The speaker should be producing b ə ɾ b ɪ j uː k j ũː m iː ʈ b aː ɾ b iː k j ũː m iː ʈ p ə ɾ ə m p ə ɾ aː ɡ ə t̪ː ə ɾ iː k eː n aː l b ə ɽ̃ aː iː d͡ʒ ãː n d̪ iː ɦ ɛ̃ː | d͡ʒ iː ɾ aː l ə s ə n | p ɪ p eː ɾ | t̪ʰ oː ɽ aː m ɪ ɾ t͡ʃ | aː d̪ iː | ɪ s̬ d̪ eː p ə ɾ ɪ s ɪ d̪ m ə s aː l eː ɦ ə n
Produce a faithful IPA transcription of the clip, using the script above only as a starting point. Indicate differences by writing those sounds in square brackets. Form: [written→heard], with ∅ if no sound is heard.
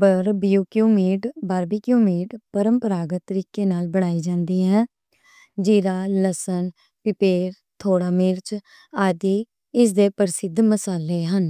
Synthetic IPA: b ə ɾ b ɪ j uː k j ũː m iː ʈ b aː ɾ b iː k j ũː m iː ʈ p ə ɾ ə m p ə ɾ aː ɡ ə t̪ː ə ɾ iː k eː n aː l b ə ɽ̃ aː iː d͡ʒ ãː n d̪ iː ɦ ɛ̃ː | d͡ʒ iː ɾ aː l ə s ə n | p ɪ p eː ɾ | t̪ʰ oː ɽ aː m ɪ ɾ t͡ʃ | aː d̪ iː | ɪ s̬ d̪ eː p ə ɾ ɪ s ɪ d̪ m ə s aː l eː ɦ ə n